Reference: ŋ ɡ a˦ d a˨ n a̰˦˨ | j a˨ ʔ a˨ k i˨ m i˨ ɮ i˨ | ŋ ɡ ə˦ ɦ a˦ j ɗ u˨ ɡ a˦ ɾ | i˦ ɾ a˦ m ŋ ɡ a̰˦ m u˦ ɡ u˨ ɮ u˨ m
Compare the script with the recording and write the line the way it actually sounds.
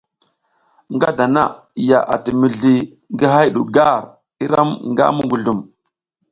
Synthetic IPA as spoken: ŋ ɡ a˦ d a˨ n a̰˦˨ | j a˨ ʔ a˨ t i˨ m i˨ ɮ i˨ | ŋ ɡ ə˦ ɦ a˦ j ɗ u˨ ɡ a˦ ɾ | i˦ ɾ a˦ m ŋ ɡ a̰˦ m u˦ ɡ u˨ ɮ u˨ m